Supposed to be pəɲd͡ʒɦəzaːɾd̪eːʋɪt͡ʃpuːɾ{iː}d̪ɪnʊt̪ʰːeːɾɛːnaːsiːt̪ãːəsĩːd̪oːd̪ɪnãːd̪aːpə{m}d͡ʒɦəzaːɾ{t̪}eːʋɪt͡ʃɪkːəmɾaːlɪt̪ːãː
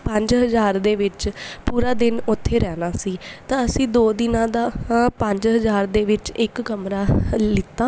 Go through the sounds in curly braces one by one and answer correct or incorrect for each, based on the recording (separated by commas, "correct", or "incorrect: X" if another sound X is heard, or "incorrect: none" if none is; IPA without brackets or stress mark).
incorrect: aː, incorrect: ɲ, incorrect: d̪